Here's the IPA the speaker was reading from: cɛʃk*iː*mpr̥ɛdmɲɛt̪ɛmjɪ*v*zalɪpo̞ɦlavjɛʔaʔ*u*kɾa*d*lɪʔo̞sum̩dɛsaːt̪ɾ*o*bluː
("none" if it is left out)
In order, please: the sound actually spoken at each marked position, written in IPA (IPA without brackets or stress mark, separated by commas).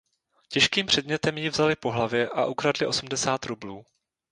iː, v, u, d, u